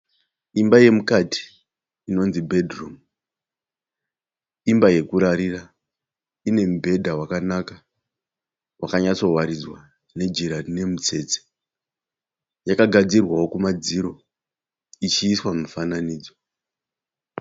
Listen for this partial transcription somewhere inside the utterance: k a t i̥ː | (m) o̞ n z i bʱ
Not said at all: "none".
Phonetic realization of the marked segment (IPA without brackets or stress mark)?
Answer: n